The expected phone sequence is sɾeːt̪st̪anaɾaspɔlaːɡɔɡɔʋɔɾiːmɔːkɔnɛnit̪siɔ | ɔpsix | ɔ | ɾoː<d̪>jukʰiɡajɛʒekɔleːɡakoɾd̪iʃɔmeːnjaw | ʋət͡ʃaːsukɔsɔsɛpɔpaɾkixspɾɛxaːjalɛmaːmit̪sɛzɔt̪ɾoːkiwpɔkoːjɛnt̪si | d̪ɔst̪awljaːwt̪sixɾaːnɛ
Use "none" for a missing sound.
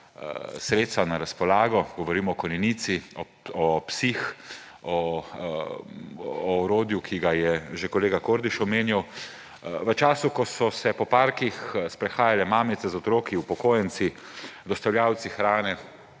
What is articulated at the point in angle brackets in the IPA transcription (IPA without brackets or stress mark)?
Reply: d̪